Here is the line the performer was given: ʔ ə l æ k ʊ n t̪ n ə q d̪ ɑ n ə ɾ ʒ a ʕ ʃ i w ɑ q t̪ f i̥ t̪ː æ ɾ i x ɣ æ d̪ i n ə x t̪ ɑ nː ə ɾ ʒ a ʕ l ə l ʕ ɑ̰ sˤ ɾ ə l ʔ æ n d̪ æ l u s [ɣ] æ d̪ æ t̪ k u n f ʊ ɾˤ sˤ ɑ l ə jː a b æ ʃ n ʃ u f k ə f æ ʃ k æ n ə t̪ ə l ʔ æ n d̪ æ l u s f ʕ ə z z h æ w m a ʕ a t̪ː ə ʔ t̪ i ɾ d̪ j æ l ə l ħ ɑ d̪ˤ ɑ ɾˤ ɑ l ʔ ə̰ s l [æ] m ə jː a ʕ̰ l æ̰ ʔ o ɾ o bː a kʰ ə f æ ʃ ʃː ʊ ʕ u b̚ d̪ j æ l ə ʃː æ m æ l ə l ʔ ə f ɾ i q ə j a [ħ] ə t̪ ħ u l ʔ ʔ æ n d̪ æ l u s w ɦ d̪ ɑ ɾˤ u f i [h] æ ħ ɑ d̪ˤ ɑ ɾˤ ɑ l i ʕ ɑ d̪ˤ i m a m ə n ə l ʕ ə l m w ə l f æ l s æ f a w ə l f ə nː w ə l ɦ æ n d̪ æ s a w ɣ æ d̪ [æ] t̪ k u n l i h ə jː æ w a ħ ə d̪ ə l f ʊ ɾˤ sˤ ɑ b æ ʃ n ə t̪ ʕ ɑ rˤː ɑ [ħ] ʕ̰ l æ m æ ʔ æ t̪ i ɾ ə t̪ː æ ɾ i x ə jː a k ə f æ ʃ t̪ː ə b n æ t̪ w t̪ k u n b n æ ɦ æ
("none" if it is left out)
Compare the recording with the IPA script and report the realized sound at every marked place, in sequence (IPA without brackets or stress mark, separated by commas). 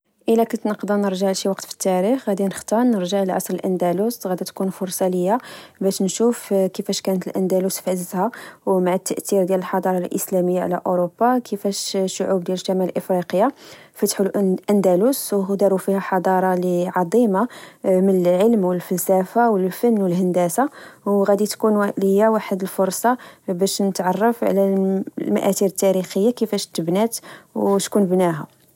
ɣ, æ, f, h, i, f